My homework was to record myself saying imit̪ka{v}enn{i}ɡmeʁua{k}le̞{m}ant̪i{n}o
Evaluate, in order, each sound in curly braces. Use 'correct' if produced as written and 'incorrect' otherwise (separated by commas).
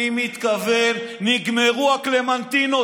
correct, correct, correct, correct, correct